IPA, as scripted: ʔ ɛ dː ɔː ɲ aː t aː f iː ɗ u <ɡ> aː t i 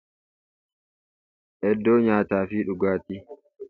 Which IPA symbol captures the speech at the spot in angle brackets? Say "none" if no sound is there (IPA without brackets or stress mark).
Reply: ɡ